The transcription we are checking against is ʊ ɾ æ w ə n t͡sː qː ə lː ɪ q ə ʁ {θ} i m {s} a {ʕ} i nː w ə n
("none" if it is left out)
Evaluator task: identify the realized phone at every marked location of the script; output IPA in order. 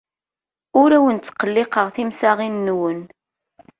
θ, s, ʁ

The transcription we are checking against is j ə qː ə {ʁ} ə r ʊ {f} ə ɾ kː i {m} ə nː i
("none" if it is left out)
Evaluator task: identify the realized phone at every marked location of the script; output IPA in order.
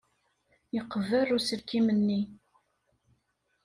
v, s, m

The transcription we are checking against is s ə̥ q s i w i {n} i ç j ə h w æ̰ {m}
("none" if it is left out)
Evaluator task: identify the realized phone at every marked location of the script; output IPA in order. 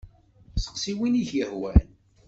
n, n

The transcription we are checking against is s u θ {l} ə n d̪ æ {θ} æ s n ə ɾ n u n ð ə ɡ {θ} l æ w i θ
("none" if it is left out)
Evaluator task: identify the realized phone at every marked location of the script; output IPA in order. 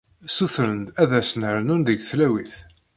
ɾ, ð, θ

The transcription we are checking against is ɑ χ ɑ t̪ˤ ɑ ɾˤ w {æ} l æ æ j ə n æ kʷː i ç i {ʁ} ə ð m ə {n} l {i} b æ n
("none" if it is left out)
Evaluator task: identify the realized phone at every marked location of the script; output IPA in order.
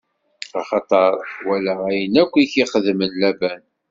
æ, χ, n, æ

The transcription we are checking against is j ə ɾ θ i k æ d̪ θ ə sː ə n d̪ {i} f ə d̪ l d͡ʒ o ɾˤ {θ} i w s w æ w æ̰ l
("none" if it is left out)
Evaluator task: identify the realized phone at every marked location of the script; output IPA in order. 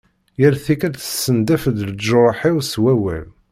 æ, ħ

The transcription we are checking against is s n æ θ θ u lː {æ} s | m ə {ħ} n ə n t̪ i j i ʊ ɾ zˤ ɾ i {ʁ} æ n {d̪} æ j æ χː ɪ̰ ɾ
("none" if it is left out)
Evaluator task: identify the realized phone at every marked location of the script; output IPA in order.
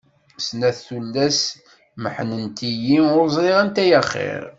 æ, ħ, ʁ, t̪

